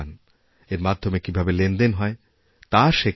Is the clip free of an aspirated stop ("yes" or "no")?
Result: yes